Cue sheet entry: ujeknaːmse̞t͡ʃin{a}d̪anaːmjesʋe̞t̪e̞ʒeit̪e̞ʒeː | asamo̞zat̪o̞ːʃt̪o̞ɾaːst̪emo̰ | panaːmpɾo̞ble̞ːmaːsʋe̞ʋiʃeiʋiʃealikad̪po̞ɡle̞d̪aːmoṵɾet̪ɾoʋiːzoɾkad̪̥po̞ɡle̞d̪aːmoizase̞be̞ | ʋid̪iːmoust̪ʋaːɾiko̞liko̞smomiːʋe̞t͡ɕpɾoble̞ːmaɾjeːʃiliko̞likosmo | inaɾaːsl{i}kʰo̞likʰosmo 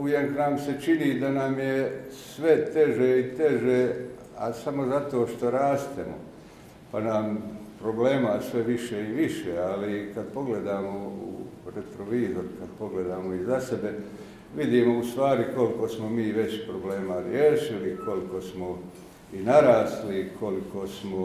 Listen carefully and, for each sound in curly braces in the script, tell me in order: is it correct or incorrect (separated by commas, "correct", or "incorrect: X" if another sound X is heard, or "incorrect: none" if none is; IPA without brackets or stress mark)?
incorrect: i, correct